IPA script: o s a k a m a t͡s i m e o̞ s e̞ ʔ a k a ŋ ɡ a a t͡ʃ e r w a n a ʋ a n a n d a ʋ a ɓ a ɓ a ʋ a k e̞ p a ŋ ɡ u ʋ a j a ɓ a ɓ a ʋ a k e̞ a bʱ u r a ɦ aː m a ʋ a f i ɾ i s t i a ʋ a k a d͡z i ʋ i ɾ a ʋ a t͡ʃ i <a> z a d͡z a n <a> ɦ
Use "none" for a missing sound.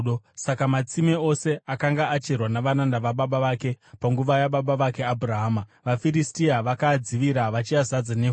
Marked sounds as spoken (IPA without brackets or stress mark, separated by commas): a, e